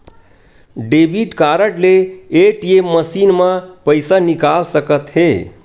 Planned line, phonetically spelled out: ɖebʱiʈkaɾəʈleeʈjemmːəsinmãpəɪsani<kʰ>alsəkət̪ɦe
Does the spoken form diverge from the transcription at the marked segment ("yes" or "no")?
yes